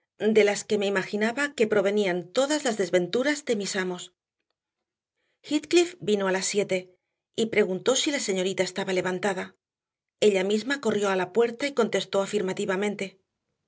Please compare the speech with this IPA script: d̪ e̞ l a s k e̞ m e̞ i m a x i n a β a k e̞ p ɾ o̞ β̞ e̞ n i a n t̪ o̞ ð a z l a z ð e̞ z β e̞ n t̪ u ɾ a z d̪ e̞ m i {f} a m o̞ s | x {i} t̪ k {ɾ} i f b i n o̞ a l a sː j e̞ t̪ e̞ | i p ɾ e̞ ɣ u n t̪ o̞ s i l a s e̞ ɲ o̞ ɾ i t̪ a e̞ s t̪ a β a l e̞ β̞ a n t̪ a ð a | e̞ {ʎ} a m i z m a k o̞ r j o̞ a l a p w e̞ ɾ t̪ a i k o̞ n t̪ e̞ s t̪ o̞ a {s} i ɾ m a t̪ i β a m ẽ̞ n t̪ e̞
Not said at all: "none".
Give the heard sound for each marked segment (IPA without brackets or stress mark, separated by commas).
s, i, l, ʎ, f